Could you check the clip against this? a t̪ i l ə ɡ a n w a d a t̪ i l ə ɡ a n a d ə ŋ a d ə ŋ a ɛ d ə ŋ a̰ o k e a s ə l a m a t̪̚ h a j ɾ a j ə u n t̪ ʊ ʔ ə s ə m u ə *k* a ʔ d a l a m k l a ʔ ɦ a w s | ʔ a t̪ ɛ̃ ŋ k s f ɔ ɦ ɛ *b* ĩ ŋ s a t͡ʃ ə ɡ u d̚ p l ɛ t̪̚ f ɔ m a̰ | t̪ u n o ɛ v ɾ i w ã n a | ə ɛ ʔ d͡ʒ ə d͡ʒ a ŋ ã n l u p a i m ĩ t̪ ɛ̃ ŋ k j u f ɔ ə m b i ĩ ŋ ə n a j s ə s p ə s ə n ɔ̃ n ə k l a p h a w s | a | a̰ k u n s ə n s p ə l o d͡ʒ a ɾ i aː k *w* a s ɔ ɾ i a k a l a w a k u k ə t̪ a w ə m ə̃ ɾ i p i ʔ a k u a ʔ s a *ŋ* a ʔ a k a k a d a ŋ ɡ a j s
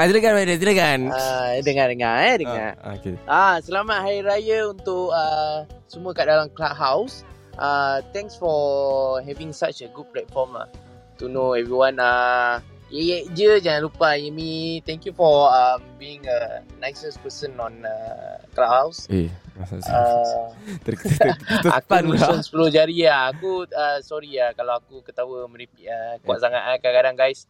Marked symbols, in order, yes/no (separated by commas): yes, no, no, yes